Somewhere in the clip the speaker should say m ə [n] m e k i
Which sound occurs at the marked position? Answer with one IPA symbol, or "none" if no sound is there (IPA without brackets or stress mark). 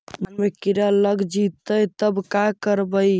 n